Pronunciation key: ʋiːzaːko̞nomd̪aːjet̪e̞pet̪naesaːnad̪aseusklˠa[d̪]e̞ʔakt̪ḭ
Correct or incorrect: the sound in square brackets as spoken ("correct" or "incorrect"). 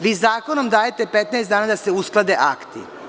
correct